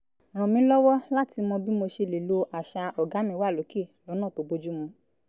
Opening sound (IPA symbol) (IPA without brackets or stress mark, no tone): ɾ̃